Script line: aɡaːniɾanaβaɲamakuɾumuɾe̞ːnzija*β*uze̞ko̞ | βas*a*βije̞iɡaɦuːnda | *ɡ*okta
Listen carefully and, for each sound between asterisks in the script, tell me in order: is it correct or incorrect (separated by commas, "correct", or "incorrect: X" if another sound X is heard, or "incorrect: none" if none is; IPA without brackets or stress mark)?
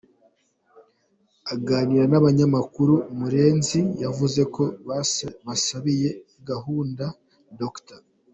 incorrect: v, correct, incorrect: d